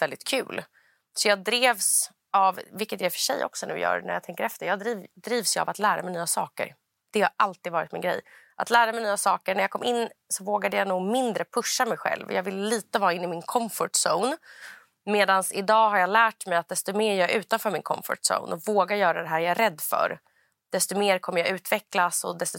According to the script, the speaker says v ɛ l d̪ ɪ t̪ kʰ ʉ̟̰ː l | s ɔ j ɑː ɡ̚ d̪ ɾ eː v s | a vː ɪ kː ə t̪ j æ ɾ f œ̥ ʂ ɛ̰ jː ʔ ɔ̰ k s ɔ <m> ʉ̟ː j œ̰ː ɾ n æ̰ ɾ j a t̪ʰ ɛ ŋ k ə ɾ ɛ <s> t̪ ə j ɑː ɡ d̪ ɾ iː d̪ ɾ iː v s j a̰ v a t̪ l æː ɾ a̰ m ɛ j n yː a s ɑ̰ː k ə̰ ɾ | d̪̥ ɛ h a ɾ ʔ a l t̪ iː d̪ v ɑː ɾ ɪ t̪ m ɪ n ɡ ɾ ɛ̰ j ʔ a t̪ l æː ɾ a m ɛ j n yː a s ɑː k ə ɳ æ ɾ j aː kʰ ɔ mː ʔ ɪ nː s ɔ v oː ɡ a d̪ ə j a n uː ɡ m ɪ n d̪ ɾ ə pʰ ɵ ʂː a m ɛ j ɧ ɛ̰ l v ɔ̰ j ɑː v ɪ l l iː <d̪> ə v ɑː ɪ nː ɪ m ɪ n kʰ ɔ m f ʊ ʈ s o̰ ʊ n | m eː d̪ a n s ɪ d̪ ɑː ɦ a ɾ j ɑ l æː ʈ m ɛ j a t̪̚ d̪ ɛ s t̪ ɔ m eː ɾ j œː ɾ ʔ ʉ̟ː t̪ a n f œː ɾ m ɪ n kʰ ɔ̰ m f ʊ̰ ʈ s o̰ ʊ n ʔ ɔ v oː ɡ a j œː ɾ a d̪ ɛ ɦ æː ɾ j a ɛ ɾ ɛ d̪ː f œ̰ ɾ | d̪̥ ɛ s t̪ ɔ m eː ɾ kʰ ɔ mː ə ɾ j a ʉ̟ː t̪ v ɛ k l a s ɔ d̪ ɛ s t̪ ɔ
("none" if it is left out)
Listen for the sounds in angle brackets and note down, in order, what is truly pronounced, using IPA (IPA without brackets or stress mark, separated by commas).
n, f, t̪